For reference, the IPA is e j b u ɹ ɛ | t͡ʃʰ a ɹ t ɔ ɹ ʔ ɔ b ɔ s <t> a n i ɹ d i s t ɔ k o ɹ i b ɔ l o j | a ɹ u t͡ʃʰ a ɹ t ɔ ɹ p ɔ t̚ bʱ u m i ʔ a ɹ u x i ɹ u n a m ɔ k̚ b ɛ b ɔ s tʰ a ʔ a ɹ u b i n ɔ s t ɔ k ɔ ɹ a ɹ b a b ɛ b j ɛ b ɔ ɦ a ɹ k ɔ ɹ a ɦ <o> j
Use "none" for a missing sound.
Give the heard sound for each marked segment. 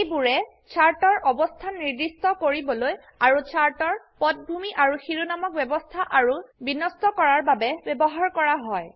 tʰ, ɔ

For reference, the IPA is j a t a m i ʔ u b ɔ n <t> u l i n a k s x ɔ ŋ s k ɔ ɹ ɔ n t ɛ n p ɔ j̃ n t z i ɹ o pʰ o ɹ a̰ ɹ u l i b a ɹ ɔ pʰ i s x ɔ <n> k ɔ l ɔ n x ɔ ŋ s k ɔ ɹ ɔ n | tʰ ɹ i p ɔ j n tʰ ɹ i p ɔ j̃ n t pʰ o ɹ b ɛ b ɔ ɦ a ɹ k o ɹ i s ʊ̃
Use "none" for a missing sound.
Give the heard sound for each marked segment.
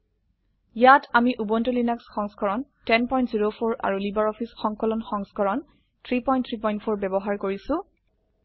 t, ŋ

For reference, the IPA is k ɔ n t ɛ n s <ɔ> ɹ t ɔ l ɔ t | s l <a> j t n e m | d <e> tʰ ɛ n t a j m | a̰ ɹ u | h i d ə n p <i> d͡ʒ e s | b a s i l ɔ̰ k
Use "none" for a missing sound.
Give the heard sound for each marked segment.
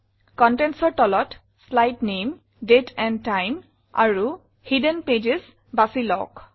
ɔ, a, e, e

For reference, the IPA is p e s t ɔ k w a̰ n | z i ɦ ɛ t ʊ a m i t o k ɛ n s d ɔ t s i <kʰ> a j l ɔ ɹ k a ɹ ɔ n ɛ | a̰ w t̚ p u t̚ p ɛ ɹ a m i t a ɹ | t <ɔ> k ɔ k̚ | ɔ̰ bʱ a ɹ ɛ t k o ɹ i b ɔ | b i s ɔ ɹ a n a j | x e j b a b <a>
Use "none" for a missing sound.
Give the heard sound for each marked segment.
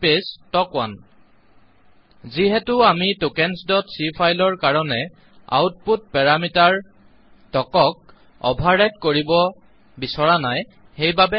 pʰ, ɔ, ɛ

